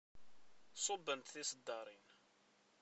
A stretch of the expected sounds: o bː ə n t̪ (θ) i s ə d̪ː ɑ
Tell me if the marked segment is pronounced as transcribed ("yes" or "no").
yes